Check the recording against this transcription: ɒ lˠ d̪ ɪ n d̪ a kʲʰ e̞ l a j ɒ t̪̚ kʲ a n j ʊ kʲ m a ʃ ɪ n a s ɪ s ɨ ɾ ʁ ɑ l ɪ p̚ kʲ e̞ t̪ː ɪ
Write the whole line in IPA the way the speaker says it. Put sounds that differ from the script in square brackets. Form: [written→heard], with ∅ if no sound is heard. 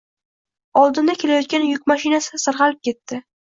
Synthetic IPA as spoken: ɒ lˠ d̪ ɪ n d̪ a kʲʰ e̞ l a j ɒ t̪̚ kʲ a n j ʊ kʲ m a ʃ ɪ n a s ɪ s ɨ ɾ ʁ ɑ l ɪ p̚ kʲ e̞ t̪ː ɪ